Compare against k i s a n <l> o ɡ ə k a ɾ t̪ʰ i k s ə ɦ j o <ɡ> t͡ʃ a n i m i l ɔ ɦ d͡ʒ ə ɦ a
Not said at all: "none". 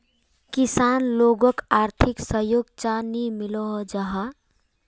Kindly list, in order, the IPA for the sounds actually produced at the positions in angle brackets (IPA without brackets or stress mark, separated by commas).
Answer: l, ɡ